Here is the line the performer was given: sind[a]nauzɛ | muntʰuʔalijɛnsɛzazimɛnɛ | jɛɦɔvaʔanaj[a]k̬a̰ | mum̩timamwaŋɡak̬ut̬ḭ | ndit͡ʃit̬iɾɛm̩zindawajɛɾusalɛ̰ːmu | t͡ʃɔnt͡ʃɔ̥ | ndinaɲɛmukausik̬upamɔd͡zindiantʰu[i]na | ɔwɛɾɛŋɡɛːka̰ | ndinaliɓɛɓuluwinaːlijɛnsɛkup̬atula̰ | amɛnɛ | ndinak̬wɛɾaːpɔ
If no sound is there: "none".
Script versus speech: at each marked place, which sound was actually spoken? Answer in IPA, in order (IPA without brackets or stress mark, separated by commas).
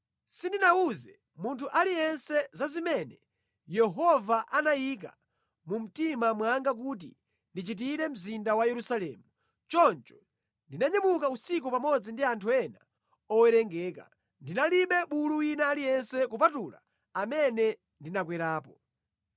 i, i, ɛ